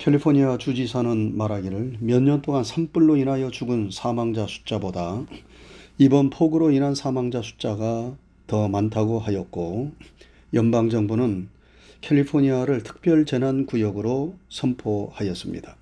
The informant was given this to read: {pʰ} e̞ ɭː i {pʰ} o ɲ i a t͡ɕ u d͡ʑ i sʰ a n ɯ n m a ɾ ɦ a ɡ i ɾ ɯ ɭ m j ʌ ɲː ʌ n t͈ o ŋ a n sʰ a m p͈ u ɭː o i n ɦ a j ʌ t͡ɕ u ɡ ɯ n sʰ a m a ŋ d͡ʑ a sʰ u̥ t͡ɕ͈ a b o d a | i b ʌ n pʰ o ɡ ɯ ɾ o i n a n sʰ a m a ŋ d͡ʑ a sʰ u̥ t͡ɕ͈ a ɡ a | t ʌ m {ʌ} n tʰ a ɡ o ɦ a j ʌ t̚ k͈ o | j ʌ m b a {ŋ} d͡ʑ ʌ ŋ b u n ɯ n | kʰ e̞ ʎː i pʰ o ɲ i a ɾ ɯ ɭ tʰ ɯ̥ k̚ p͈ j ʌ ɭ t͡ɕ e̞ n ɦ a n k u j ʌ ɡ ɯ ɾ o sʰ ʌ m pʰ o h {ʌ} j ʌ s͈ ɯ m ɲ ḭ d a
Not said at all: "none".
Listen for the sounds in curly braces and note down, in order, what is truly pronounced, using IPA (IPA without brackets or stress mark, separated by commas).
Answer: kʰ, pʰ, a, ŋ, a